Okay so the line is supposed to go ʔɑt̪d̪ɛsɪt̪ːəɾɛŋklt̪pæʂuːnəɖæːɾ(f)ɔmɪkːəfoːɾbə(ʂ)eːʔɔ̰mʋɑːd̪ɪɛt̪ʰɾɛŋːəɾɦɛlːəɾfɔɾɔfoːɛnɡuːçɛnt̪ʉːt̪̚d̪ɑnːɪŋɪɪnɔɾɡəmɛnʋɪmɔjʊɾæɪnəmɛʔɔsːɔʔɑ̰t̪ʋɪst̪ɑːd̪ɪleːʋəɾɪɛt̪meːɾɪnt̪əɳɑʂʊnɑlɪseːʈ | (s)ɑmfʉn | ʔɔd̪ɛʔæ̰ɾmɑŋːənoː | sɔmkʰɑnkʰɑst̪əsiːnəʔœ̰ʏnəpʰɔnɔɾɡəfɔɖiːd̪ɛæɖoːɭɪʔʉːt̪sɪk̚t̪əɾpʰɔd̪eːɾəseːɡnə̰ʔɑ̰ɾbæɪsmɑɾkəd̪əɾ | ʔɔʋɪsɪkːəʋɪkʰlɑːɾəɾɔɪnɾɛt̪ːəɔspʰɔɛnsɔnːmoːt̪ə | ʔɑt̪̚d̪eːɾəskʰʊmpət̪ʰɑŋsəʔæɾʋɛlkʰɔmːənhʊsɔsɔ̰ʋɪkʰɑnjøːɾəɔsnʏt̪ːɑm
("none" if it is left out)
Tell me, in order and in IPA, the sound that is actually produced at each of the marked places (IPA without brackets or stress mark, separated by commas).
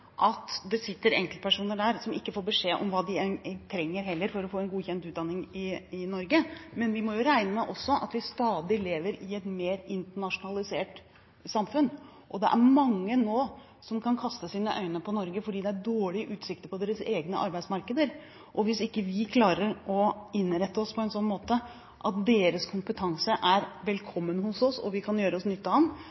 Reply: s, ʂ, s